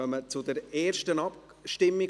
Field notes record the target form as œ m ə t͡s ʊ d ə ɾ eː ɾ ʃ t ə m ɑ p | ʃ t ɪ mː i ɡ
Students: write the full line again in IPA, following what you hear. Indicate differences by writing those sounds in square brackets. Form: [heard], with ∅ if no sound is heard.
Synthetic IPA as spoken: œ m ə t͡s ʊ d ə ɾ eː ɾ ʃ t ə [n] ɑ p | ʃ t ɪ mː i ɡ